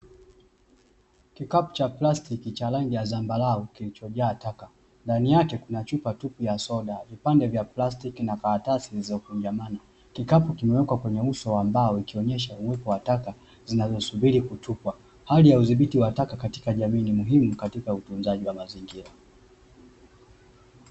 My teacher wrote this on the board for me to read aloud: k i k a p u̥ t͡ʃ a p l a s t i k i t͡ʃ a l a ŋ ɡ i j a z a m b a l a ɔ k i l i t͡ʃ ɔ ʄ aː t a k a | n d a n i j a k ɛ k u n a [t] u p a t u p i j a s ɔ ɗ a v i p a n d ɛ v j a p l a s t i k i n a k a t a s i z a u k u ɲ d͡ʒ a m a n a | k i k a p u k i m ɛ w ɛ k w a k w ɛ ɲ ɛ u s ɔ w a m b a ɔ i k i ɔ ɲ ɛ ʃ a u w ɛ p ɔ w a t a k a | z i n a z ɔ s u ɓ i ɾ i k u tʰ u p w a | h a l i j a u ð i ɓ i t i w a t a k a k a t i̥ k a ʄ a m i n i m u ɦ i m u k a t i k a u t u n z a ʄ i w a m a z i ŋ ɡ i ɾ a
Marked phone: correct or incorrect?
incorrect